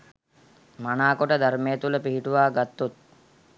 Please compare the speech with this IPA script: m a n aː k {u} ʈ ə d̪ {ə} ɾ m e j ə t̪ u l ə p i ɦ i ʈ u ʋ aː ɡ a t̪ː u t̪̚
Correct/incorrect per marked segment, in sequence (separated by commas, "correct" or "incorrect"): incorrect, incorrect